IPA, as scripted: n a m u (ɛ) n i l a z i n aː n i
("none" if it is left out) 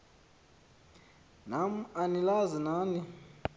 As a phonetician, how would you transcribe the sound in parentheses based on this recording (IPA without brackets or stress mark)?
a